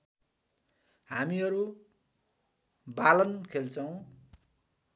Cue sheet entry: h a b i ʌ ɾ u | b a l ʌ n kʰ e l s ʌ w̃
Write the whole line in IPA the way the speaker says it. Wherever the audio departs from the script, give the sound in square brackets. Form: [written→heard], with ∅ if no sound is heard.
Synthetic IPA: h a [b→m] i ʌ ɾ u | b a l ʌ n kʰ e l [s→t͡s] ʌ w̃